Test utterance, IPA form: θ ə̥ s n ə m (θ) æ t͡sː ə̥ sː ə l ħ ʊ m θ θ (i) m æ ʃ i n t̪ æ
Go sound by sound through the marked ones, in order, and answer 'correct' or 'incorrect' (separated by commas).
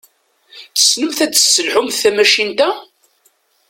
correct, incorrect